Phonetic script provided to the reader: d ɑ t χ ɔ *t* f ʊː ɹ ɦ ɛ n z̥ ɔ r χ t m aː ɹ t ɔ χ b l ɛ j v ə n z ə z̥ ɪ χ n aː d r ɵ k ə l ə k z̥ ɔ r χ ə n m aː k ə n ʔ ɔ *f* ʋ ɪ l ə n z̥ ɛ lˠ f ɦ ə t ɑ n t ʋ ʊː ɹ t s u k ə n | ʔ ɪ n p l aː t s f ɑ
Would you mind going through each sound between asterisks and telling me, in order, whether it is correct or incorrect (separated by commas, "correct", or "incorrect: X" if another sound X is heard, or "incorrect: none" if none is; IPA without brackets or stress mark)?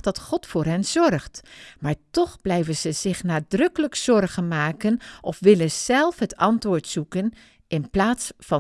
correct, correct